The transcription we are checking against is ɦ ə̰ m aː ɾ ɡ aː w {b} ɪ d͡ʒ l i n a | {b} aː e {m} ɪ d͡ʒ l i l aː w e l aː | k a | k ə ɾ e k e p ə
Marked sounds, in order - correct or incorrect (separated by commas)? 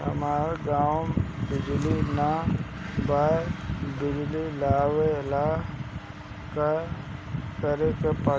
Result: correct, correct, incorrect